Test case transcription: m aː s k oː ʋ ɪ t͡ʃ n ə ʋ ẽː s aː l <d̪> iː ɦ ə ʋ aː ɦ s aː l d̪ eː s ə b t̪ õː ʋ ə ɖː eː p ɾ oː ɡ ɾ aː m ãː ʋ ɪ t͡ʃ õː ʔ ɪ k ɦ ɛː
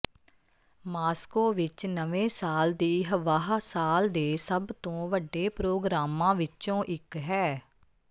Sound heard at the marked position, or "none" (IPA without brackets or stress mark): d̪